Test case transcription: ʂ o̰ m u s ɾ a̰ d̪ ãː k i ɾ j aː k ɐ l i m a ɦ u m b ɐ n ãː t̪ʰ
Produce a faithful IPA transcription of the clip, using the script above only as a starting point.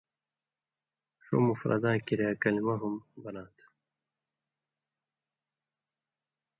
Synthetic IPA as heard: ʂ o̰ m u f ɾ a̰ d̪ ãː k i ɾ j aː k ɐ l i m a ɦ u m b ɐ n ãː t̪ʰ